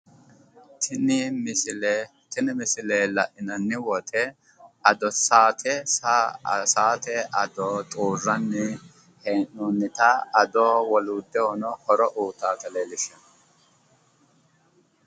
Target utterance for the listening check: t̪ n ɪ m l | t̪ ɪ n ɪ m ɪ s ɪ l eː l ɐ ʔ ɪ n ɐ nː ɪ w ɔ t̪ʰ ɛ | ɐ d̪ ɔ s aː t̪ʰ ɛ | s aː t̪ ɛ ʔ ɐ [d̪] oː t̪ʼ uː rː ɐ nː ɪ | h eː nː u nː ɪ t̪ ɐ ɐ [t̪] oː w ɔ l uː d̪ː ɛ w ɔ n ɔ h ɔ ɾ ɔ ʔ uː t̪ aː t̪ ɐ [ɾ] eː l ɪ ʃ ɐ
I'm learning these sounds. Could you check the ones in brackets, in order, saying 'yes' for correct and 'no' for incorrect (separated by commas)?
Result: yes, no, no